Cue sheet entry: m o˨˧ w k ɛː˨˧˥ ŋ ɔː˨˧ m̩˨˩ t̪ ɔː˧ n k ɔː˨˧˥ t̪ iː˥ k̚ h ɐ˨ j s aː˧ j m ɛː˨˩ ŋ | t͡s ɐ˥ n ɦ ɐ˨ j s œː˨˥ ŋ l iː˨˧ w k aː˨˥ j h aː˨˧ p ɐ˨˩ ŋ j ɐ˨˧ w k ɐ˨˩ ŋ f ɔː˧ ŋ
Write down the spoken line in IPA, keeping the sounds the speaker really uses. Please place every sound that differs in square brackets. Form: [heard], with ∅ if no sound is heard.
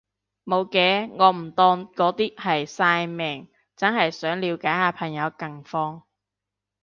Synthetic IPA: m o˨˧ w k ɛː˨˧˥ ŋ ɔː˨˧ m̩˨˩ t̪ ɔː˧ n k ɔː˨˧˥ t̪ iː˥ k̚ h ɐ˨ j s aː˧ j m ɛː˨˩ ŋ | t͡s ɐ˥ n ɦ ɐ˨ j s œː˨˥ ŋ l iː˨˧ w k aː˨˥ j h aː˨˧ [pʰ] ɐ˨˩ ŋ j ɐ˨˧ w k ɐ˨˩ ŋ f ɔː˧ ŋ